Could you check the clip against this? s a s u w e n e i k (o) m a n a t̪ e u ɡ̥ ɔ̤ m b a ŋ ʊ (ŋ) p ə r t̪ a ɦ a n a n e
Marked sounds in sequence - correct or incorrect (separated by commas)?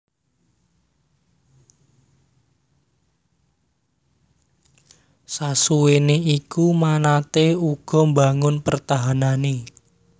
incorrect, incorrect